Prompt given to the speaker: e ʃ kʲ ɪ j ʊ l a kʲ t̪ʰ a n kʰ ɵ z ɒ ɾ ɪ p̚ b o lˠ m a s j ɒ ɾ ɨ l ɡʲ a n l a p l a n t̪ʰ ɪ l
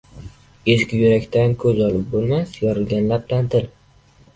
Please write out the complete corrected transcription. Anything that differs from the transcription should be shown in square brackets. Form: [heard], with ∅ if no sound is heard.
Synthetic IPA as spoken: e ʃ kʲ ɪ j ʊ [ɾ] a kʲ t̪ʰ a n kʰ ɵ z ɒ [l] ɪ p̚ b o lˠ m a s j ɒ ɾ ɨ l ɡʲ a n l a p l a n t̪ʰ ɪ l